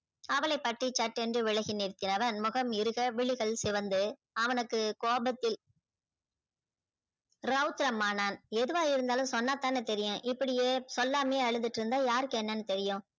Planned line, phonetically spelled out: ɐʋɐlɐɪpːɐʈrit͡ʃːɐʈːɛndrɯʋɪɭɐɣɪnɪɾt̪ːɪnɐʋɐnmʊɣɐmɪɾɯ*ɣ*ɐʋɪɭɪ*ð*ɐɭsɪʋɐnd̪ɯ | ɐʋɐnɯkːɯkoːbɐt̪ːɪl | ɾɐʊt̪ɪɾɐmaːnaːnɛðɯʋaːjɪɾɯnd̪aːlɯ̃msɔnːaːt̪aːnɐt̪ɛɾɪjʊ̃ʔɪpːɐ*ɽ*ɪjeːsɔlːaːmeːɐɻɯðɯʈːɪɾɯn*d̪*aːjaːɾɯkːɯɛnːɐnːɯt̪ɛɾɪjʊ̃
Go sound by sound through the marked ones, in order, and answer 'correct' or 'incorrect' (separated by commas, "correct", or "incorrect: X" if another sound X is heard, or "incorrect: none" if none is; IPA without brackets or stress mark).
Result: correct, incorrect: ɣ, correct, correct